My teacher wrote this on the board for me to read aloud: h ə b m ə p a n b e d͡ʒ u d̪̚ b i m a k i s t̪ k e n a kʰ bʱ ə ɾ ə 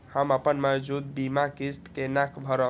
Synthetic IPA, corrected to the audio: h ə m ə p ə n m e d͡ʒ u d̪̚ b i m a k i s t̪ k e n a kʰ bʱ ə ɾ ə